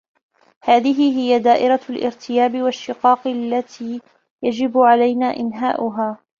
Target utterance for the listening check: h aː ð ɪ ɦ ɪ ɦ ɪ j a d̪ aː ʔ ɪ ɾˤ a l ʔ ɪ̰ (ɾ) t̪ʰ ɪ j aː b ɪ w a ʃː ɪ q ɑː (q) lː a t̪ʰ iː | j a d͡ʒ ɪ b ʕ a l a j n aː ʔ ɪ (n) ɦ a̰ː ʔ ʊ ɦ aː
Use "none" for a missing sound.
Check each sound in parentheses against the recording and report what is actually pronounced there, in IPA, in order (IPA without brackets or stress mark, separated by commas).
ɾ, q, n